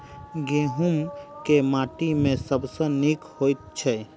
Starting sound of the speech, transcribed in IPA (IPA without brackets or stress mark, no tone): ɡ